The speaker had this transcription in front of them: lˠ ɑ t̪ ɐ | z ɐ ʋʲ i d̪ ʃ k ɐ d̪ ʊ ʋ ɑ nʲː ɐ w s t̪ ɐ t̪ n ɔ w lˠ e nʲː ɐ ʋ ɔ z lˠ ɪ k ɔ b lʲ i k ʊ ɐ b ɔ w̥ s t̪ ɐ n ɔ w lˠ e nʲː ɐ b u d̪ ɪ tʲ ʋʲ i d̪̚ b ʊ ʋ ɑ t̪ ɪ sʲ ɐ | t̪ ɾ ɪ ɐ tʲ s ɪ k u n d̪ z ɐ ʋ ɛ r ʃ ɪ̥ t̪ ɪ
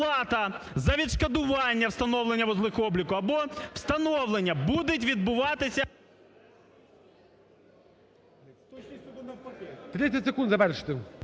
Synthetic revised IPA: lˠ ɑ t̪ ɐ | z ɐ ʋʲ i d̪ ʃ k ɐ d̪ ʊ ʋ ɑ nʲː ɐ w s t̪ ɐ n ɔ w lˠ e nʲː ɐ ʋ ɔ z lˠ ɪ x ɔ b lʲ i k ʊ ɐ b ɔ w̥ s t̪ ɐ n ɔ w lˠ e nʲː ɐ b u d̪ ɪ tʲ ʋʲ i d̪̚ b ʊ ʋ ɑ t̪ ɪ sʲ ɐ | t̪ ɾ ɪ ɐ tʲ s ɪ k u n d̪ z ɐ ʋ ɛ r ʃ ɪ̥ t̪ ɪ